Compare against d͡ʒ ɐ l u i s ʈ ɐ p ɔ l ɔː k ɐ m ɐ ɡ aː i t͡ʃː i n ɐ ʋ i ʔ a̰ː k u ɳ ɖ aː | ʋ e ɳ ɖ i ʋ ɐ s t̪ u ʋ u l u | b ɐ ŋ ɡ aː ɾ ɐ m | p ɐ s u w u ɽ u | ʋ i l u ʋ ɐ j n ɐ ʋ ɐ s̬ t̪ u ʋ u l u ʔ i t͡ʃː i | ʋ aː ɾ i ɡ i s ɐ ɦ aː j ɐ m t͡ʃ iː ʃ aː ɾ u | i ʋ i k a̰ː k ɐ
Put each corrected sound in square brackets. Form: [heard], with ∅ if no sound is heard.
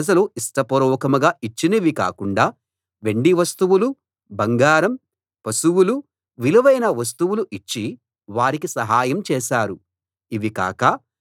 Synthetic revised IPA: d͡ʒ ɐ l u i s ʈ ɐ p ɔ [ɾ] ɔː k ɐ m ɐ ɡ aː i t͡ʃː i n ɐ ʋ i [k] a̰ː k u ɳ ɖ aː | ʋ e ɳ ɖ i ʋ ɐ s t̪ u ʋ u l u | b ɐ ŋ ɡ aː ɾ ɐ m | p ɐ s u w u [l] u | ʋ i l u ʋ ɐ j n ɐ ʋ ɐ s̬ t̪ u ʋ u l u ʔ i t͡ʃː i | ʋ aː ɾ i [k] i s ɐ ɦ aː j ɐ m t͡ʃ [ɛː] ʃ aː ɾ u | i ʋ i k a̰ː k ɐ